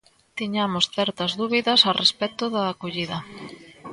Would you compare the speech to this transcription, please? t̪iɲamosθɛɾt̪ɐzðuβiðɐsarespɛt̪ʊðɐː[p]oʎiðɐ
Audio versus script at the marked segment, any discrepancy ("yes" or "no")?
yes